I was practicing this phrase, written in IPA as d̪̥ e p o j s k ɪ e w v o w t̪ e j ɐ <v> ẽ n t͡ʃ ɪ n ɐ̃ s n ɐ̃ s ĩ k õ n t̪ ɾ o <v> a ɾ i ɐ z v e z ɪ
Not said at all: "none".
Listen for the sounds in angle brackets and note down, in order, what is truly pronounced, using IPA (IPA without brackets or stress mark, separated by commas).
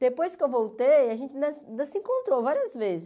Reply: ʒ, v